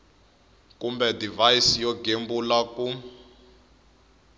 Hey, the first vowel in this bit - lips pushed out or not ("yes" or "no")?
yes